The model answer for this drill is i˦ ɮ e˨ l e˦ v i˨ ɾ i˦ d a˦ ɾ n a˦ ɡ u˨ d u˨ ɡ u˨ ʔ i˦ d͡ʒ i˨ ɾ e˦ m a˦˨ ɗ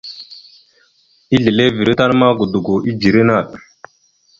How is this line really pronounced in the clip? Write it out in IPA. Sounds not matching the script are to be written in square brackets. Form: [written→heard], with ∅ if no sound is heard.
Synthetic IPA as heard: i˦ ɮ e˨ l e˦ v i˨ ɾ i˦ [d→t] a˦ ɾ [n→m] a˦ ɡ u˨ d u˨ ɡ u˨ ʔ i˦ d͡ʒ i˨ ɾ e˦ [m→n] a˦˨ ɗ